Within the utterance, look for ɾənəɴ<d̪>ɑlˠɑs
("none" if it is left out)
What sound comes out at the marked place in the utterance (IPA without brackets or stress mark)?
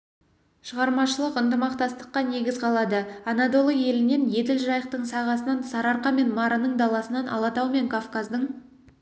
d̪